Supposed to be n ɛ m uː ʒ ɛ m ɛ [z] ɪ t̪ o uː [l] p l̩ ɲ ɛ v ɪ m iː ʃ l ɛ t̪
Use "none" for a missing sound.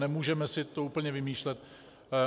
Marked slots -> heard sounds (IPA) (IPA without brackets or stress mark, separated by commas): s, none